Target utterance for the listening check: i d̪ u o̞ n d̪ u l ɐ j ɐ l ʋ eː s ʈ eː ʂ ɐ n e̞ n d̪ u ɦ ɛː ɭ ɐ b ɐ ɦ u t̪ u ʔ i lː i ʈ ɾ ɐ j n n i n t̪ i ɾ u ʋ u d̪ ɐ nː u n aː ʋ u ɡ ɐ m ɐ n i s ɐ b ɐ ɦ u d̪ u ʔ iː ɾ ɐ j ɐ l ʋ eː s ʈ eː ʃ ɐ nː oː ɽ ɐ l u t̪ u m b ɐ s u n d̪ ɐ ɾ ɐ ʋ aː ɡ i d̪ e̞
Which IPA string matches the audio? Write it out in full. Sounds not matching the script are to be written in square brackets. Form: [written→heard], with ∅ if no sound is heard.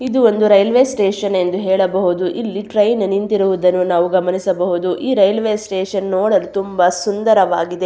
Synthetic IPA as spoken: i d̪ u o̞ n d̪ u [l→ɾ] ɐ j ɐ l ʋ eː s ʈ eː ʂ ɐ n e̞ n d̪ u ɦ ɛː ɭ ɐ b ɐ ɦ u [t̪→d̪] u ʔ i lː i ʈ ɾ ɐ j n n i n t̪ i ɾ u ʋ u d̪ ɐ nː u n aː ʋ u ɡ ɐ m ɐ n i s ɐ b ɐ ɦ u d̪ u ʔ iː ɾ ɐ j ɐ l ʋ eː s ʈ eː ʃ ɐ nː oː ɽ ɐ l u t̪ u m b ɐ s u n d̪ ɐ ɾ ɐ ʋ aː ɡ i d̪ e̞